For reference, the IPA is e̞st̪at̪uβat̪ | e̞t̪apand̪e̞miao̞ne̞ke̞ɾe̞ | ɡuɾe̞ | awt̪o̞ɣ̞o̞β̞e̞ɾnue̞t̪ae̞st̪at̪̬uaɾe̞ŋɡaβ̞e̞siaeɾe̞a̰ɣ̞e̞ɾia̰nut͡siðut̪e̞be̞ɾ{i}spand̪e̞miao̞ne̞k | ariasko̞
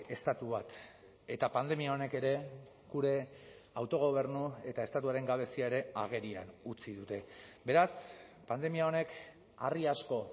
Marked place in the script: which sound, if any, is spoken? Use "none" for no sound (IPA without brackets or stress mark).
a